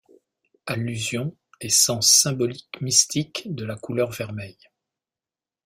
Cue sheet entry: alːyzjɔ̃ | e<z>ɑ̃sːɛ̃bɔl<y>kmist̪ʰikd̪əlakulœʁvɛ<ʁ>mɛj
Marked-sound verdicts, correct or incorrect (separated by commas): incorrect, incorrect, correct